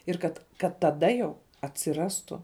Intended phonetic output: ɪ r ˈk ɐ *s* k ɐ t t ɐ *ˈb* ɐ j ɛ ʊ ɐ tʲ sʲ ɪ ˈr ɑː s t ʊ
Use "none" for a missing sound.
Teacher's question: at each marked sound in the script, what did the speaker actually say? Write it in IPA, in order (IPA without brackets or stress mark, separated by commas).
t, d